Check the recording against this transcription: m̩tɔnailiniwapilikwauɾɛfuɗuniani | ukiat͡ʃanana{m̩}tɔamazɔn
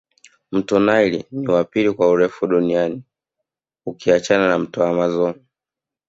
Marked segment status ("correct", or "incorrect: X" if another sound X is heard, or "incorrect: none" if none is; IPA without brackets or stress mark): correct